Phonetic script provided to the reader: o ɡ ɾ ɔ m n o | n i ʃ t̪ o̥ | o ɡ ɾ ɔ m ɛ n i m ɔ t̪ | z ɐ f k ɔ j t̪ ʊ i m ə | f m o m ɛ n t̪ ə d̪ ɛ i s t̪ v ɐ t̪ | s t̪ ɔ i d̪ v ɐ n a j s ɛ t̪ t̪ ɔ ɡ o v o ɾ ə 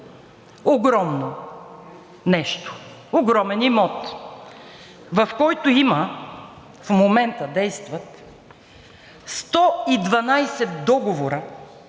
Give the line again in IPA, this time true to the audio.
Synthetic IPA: o ɡ ɾ ɔ m n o | n ɛ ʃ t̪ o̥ | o ɡ ɾ ɔ m ɛ n i m ɔ t̪ | v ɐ f k ɔ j t̪ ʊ i m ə | f m o m ɛ n t̪ ə d̪ ɛ j s t̪ v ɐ t̪ | s t̪ ɔ i d̪ v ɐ n a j s ɛ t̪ d̪ ɔ ɡ o v o ɾ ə